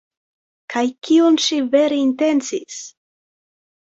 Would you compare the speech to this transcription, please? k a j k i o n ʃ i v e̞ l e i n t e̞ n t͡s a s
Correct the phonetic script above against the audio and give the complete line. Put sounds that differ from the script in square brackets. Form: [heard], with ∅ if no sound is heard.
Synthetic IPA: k a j k i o n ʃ i v e̞ [ɾ] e i n t e̞ n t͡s [i] s